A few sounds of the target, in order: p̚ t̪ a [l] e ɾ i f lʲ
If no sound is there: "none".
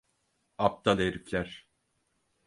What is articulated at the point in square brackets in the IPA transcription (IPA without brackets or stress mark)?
l